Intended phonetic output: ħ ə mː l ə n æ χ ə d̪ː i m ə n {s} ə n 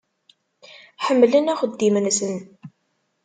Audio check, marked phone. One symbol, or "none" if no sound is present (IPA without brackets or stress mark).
s